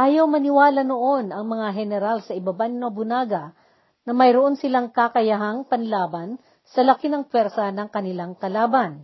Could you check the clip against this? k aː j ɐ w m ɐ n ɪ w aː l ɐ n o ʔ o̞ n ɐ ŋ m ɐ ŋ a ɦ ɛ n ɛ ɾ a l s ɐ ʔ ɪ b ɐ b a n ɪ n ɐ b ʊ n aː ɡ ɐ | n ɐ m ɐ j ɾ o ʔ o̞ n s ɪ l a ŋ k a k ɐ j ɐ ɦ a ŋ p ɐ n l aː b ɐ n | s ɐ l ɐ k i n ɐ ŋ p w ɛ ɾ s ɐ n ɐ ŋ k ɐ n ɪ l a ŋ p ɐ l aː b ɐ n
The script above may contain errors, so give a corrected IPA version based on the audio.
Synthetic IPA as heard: ʔ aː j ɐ w m ɐ n ɪ w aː l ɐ n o ʔ o̞ n ɐ ŋ m ɐ ŋ a ɦ ɛ n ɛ ɾ a l s ɐ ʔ ɪ b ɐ b a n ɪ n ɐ b ʊ n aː ɡ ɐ | n ɐ m ɐ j ɾ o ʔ o̞ n s ɪ l a ŋ k a k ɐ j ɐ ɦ a ŋ p ɐ n l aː b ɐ n | s ɐ l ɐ k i n ɐ ŋ p w ɛ ɾ s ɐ n ɐ ŋ k ɐ n ɪ l a ŋ k ɐ l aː b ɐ n